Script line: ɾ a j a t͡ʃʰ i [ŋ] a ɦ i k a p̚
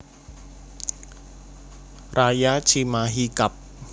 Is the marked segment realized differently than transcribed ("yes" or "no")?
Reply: yes